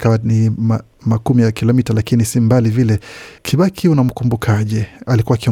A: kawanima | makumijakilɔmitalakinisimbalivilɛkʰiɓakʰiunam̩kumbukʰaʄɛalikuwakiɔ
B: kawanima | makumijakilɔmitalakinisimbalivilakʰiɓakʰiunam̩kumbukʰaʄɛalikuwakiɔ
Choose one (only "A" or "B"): A